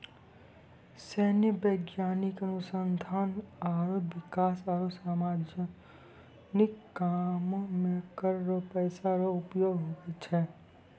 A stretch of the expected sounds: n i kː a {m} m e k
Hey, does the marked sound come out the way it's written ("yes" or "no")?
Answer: yes